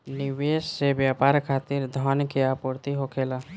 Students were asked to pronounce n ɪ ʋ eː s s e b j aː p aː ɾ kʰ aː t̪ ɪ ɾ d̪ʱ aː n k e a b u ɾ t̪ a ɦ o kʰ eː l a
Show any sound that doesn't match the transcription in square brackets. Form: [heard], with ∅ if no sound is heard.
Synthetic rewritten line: n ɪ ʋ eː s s e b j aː p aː ɾ kʰ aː t̪ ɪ ɾ d̪ʱ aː n k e a [p] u ɾ t̪ [i] ɦ o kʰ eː l a